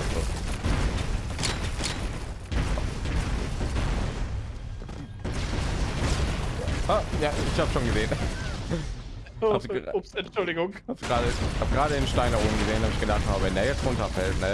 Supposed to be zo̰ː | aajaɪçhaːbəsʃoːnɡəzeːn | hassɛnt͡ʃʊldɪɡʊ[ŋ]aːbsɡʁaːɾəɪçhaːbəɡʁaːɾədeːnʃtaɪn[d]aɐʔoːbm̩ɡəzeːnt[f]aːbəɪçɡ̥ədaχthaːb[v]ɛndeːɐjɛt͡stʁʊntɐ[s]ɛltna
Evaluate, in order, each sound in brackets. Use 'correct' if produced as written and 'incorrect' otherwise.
correct, correct, incorrect: h, correct, incorrect: f

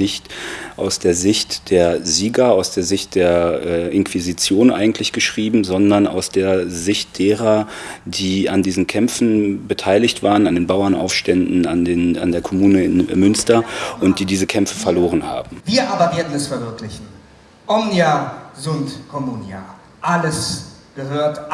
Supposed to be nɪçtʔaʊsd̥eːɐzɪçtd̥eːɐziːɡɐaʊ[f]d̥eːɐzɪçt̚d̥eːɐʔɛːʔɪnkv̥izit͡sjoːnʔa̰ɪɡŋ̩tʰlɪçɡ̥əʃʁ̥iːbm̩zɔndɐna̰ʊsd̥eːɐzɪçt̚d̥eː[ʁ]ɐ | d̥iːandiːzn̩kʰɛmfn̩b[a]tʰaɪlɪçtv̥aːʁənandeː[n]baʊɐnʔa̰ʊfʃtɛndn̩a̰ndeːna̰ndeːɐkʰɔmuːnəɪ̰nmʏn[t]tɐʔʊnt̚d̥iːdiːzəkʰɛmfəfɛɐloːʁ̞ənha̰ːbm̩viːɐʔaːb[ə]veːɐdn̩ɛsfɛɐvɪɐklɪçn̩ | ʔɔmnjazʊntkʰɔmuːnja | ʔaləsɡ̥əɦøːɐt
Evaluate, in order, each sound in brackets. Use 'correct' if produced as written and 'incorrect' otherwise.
incorrect: s, correct, incorrect: ə, correct, incorrect: s, incorrect: ɐ

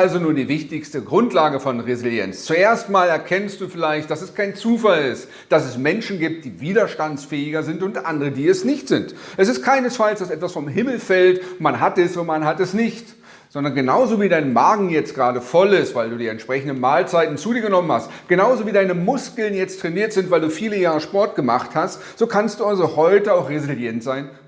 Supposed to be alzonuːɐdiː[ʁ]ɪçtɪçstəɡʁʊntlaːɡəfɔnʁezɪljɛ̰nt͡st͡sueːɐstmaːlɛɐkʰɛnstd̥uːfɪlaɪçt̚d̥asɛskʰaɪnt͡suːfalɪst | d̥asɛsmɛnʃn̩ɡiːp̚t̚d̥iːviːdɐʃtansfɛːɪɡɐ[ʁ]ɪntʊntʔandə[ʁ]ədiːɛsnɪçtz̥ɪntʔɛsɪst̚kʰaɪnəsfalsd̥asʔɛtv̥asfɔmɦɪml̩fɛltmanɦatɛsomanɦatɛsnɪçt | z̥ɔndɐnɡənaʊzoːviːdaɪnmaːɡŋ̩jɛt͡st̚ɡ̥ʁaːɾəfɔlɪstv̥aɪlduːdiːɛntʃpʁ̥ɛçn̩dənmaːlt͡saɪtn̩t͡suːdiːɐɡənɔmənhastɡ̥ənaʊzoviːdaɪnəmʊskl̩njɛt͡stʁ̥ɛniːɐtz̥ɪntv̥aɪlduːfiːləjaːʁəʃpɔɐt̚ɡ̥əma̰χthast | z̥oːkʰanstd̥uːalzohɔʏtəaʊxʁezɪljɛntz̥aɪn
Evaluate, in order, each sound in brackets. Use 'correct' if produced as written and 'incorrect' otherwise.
incorrect: v, incorrect: z, correct

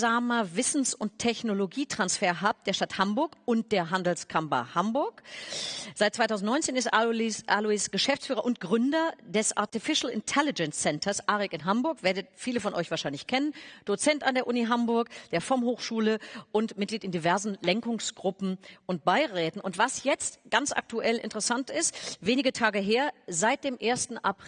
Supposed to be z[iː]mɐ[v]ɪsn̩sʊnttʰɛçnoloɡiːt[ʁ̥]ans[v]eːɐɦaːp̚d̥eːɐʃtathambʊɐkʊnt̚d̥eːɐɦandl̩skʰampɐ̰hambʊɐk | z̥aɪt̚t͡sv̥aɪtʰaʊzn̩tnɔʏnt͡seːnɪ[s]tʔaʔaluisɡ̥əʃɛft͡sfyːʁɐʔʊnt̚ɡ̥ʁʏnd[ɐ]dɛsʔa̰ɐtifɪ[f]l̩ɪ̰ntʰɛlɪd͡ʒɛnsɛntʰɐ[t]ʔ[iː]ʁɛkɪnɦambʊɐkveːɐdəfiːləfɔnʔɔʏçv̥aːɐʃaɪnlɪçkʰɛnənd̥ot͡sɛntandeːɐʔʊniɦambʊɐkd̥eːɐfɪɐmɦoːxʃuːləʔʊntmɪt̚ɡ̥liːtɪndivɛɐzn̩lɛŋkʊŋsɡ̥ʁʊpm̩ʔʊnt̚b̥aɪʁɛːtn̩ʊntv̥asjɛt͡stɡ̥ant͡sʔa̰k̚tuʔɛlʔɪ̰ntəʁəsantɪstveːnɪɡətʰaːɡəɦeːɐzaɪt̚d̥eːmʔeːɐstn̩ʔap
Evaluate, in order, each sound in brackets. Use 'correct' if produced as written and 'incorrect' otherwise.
incorrect: aː, correct, correct, incorrect: f, correct, correct, incorrect: ʃ, incorrect: s, incorrect: aː

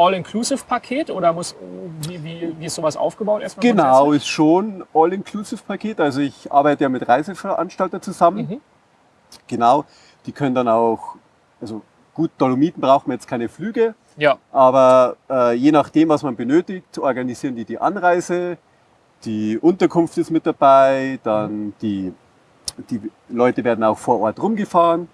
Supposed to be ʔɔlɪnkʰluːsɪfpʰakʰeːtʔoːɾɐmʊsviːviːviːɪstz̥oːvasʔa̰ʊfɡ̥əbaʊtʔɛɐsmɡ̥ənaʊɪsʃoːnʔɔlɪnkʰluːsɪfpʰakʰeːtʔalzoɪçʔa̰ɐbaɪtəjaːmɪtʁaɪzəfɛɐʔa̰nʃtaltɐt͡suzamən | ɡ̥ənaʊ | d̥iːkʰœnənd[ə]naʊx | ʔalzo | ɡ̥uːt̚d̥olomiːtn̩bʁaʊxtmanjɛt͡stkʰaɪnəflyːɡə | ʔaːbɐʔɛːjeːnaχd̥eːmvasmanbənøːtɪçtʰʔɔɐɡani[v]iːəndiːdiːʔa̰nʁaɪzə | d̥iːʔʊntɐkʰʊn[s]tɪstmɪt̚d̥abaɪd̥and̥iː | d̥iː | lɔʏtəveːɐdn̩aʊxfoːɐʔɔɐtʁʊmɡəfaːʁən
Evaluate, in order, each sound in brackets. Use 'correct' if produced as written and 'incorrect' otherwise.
incorrect: a, incorrect: z, incorrect: f

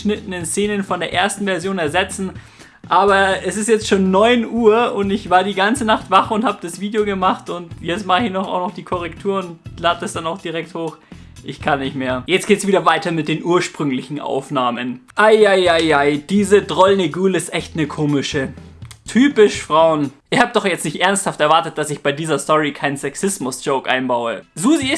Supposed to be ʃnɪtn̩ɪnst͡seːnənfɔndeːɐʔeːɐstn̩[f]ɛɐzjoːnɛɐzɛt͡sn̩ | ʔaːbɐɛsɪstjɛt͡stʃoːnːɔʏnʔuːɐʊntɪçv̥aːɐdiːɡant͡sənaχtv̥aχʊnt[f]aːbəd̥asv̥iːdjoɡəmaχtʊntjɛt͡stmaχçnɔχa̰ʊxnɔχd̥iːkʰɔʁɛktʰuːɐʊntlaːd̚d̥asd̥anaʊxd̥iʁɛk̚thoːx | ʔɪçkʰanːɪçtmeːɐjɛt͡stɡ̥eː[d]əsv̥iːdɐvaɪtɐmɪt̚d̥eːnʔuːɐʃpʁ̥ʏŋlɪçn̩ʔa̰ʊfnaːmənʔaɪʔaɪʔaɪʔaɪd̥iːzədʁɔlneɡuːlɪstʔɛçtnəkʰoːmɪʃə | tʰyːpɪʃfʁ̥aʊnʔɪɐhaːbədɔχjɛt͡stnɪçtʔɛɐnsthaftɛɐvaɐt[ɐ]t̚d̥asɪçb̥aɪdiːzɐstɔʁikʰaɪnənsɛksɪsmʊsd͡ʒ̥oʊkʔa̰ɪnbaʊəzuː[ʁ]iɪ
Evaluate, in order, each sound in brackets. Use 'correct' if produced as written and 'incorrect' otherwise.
incorrect: v, incorrect: h, incorrect: t, incorrect: ə, incorrect: z

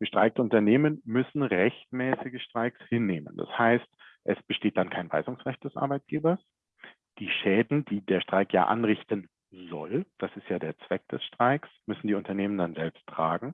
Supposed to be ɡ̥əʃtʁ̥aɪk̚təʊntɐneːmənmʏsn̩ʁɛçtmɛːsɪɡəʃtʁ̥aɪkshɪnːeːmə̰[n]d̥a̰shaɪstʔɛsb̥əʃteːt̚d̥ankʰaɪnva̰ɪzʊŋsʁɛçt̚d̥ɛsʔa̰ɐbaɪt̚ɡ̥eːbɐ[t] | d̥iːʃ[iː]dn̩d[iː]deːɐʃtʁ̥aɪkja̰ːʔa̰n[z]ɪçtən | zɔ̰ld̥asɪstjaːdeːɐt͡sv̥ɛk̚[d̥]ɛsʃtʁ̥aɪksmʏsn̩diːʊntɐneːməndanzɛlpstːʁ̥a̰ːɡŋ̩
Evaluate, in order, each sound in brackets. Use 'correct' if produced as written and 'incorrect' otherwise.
correct, incorrect: s, incorrect: ɛː, correct, incorrect: ʁ, correct

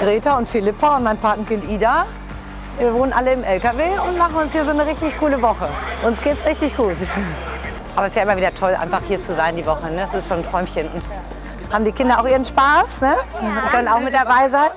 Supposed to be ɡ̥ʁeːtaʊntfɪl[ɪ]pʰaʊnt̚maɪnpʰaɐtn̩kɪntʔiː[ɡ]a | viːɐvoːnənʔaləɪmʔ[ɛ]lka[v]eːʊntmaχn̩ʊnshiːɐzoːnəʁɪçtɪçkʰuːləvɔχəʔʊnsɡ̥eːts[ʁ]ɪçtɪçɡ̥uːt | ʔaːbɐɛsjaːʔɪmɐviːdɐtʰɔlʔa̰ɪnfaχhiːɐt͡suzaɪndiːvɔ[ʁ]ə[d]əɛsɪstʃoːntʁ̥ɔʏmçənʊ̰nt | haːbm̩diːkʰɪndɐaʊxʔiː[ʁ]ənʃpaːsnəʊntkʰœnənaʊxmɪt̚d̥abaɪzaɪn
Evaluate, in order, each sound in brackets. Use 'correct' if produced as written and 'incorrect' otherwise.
correct, incorrect: d, correct, correct, correct, incorrect: χ, incorrect: n, correct

